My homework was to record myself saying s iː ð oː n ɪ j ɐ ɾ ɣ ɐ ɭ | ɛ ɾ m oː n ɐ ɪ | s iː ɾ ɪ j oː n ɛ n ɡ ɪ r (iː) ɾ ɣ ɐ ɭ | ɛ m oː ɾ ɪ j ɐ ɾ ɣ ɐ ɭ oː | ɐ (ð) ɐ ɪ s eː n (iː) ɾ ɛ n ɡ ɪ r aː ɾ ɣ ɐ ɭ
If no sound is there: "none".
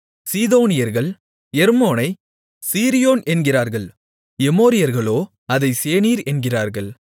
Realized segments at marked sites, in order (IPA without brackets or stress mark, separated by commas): aː, ð, iː